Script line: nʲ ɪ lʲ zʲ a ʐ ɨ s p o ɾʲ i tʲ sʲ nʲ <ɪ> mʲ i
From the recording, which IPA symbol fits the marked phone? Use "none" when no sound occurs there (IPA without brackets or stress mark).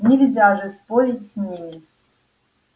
i